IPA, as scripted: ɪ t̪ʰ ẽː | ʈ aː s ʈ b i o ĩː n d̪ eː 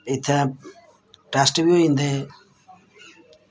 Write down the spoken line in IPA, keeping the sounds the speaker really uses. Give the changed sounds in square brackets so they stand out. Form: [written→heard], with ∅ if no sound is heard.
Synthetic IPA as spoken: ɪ t̪ʰ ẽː | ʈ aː s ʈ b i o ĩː n d̪ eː